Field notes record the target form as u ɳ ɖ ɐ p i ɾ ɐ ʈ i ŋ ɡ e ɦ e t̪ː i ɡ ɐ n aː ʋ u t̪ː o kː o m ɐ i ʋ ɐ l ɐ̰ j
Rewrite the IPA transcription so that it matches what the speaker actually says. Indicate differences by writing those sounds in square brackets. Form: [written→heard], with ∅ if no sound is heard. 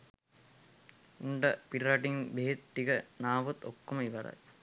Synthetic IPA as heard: u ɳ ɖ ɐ p i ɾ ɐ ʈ i ŋ [ɡ→b] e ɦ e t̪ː i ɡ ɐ n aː ʋ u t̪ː o kː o m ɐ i ʋ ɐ [l→ɾ] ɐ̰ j